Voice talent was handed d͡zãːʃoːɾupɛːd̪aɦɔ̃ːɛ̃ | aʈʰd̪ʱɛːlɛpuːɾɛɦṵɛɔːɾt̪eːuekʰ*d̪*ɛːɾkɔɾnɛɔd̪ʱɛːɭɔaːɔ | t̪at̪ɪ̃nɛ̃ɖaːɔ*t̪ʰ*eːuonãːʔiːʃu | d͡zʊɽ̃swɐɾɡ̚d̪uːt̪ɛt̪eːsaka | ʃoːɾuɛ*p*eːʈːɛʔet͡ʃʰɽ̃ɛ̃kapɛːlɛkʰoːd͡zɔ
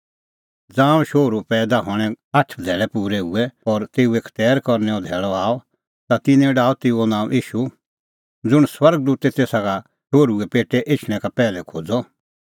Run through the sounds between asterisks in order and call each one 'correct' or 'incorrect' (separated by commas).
incorrect, incorrect, correct